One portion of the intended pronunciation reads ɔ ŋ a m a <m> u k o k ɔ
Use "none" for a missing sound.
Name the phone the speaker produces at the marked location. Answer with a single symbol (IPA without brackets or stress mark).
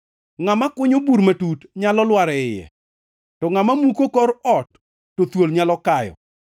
m